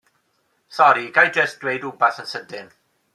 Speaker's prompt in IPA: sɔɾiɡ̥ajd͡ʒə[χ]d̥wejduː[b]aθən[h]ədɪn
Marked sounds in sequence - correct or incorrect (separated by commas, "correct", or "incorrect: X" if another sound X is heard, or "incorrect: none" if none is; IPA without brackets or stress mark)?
incorrect: s, correct, incorrect: s